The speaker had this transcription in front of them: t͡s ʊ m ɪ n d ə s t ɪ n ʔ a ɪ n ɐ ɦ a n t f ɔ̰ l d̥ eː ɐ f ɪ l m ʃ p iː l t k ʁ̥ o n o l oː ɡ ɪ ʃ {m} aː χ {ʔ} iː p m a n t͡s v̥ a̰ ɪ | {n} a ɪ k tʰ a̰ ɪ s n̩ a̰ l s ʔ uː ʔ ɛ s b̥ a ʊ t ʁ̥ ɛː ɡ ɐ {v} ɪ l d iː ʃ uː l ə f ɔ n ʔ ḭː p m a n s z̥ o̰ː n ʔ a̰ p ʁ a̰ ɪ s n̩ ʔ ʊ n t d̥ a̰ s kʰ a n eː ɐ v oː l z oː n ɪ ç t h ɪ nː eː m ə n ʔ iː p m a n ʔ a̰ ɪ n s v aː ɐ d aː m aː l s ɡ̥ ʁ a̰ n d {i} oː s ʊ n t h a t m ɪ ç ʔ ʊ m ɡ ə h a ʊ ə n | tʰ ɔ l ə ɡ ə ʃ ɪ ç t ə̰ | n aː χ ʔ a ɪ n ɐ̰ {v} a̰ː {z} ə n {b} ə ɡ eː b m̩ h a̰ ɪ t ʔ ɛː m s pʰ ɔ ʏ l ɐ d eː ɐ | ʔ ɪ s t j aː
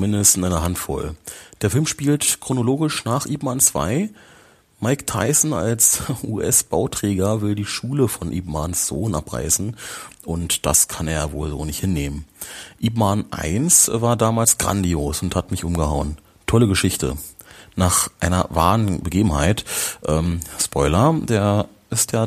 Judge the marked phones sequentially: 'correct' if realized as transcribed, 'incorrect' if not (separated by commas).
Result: incorrect, correct, incorrect, correct, correct, correct, incorrect, correct